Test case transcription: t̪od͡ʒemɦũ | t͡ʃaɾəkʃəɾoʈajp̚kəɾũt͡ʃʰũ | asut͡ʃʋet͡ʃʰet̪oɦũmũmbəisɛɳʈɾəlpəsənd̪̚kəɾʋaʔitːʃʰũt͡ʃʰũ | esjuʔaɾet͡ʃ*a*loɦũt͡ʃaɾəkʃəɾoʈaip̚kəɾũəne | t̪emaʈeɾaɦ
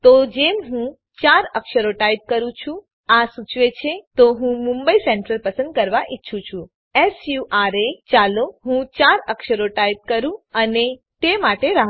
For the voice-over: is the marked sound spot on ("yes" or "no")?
yes